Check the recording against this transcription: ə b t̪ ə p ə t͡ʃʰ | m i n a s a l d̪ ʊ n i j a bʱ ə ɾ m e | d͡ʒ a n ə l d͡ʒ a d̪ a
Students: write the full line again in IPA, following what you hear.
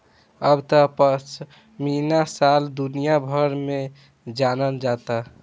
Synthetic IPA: ə b t̪ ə p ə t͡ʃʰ | m i n a s a l d̪ u n i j a bʱ ə ɾ m e | d͡ʒ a n ə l d͡ʒ a t̪ a

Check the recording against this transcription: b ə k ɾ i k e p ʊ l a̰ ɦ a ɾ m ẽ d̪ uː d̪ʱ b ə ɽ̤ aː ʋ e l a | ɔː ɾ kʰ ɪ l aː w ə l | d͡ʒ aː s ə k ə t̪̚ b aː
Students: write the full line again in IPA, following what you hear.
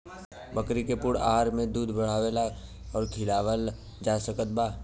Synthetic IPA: b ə k ɾ i k e p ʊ ɽ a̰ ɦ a ɾ m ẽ d̪ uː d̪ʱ b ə ɽ̤ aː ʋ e l a | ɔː ɾ kʰ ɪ l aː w ə l | d͡ʒ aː s ə k ə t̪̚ b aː

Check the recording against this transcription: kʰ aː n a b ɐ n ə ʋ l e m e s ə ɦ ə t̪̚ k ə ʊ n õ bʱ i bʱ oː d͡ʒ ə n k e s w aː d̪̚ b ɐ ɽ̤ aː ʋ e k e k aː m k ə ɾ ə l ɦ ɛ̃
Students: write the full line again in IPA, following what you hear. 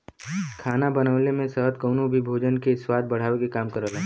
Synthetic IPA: kʰ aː n a b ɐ n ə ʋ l e m ẽ s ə ɦ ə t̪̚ k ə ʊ n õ bʱ i bʱ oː d͡ʒ ə n k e s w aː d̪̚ b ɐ ɽ̤ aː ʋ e k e k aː m k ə ɾ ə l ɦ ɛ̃

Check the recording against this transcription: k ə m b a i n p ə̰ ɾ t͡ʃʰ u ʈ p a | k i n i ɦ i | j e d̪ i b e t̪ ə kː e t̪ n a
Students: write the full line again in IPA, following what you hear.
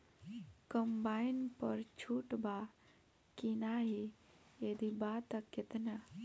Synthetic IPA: k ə m b a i n p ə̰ ɾ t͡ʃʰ u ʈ b a | k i n a ɦ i | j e d̪ i b a t̪ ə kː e t̪ n a

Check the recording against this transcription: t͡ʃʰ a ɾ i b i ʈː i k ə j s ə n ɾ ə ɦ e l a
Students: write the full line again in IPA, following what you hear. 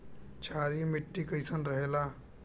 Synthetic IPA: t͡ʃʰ a ɾ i m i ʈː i k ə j s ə n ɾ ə ɦ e l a

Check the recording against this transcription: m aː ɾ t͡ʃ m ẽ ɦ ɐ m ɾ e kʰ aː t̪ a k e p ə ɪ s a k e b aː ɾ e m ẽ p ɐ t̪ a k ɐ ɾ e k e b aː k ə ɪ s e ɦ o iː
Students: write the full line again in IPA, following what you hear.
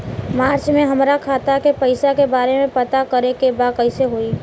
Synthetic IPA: m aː ɾ t͡ʃ m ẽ ɦ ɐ m ɾ a kʰ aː t̪ a k e p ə ɪ s a k e b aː ɾ e m ẽ p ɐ t̪ a k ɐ ɾ e k e b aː k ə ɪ s e ɦ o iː

